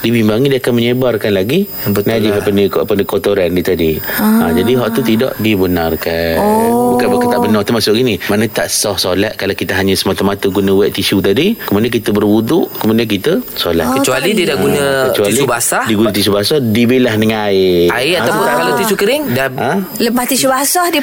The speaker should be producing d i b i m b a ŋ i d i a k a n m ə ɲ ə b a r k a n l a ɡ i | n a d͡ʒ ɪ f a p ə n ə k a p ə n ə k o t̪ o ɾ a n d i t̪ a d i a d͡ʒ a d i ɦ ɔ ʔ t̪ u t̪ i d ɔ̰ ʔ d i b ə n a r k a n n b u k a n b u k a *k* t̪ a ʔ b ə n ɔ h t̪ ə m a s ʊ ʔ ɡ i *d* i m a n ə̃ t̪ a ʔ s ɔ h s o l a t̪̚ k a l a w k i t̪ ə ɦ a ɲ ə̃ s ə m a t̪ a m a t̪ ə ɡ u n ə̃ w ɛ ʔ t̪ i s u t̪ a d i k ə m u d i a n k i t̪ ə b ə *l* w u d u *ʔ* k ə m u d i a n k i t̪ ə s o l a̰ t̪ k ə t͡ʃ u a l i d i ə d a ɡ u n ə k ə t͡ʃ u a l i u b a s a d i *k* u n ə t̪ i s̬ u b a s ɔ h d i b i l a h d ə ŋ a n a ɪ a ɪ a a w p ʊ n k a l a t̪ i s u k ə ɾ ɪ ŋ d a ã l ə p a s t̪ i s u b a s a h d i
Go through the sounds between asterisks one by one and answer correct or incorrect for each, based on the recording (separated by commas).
correct, incorrect, incorrect, correct, incorrect